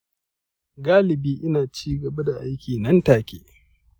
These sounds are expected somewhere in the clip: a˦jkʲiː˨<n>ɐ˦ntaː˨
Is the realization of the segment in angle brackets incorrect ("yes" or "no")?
no